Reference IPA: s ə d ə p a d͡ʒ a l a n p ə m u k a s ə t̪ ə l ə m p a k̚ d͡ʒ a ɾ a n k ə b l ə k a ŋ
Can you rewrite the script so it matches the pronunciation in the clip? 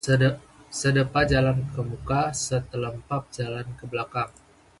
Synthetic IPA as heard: s ə d ə p a d͡ʒ a l a n k ə m u k a s ə t̪ ə l ə m p a p̚ d͡ʒ a l a n k ə b l a k a ŋ